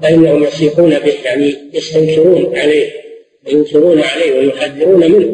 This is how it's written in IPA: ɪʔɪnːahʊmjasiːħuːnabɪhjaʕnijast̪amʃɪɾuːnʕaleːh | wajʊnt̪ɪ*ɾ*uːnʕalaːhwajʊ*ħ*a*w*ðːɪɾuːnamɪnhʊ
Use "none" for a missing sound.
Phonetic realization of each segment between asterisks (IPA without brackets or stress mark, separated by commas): ɾ, ħ, none